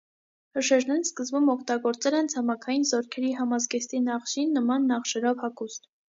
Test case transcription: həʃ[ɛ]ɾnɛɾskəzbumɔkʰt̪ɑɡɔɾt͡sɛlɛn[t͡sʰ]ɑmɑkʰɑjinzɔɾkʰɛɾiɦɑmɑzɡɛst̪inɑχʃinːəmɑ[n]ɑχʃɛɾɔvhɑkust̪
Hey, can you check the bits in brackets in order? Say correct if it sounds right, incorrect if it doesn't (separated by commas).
correct, correct, incorrect